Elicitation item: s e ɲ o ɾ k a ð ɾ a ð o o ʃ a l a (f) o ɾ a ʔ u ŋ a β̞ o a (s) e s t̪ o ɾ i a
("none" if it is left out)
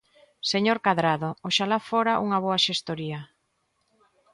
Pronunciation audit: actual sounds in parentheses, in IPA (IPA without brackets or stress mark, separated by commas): f, ʃ